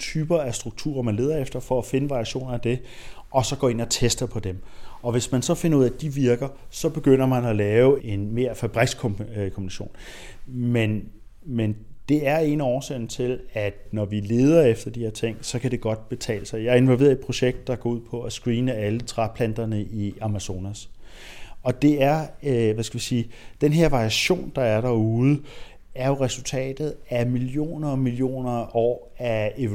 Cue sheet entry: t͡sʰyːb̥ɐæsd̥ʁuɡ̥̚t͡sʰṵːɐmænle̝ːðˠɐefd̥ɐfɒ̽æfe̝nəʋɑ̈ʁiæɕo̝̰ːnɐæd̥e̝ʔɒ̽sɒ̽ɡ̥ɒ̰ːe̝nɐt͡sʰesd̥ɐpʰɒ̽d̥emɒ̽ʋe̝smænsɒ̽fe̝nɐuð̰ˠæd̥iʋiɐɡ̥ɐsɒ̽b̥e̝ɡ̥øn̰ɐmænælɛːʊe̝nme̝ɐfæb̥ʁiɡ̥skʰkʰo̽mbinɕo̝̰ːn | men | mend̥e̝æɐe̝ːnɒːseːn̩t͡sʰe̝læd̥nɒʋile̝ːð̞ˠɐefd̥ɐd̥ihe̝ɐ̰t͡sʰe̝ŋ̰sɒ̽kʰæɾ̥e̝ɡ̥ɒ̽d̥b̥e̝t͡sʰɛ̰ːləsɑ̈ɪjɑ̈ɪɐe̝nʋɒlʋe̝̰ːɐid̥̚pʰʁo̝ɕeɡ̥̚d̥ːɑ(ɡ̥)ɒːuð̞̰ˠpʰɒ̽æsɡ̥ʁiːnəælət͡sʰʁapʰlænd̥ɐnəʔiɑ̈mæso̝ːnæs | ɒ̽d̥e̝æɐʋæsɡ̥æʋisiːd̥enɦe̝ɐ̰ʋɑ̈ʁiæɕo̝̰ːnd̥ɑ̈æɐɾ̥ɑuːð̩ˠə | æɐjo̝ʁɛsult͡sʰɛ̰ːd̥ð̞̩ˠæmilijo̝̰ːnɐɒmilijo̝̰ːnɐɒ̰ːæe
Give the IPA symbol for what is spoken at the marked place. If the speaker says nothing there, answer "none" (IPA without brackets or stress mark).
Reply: ɡ̥